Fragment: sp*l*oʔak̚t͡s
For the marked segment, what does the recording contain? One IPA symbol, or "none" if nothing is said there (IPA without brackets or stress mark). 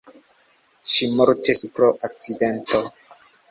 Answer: ɾ